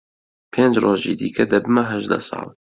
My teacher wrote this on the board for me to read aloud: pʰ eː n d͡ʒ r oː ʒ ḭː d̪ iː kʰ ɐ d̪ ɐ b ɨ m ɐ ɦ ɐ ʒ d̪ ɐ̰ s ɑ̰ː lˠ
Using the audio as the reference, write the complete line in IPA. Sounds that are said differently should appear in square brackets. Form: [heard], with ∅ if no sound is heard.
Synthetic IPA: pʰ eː n d͡ʒ r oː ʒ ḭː d̪ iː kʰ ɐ d̪ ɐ b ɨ m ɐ ɦ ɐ ʒ d̪ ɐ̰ s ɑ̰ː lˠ